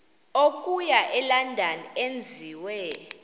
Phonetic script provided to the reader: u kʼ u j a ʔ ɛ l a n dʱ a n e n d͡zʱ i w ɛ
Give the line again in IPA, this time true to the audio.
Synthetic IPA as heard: o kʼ u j a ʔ ɛ l a n dʱ a n e n d͡zʱ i w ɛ